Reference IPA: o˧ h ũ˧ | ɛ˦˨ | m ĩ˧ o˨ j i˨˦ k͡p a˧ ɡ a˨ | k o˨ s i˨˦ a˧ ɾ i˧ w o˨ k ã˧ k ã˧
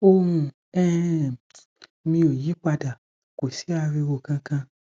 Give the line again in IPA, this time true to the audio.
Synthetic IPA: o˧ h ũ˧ | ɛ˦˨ | m ĩ˧ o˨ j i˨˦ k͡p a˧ d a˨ | k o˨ s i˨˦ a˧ ɾ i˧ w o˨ k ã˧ k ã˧